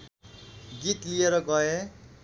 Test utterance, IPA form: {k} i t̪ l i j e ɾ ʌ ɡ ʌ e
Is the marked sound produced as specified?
no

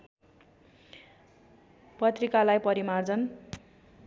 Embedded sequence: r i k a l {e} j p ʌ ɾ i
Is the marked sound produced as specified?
no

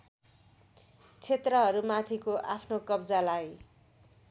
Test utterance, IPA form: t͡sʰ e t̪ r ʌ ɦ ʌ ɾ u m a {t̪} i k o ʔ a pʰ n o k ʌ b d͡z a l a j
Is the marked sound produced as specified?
no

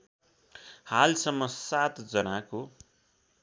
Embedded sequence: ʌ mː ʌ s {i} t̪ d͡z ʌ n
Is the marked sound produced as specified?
no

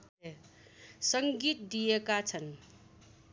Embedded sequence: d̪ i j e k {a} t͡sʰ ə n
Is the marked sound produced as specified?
yes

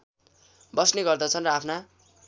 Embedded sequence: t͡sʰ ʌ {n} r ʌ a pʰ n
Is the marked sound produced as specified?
yes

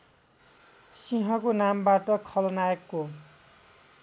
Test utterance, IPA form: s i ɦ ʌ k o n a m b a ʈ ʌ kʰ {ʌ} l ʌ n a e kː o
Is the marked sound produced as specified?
yes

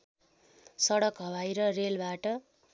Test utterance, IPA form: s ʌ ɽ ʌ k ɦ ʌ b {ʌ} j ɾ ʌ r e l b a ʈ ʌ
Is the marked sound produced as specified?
no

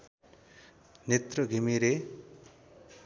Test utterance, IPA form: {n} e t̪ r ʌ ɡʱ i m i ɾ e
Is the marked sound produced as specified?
yes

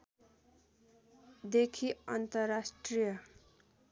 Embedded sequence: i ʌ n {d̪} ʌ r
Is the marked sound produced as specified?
no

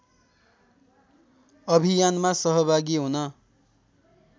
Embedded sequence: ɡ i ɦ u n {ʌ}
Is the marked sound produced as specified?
yes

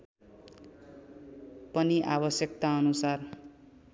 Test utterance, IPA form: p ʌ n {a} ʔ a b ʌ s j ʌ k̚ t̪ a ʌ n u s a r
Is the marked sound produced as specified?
no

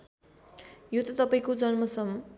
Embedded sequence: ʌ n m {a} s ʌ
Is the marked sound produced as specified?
no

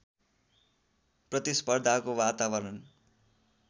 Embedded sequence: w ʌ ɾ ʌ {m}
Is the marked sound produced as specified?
no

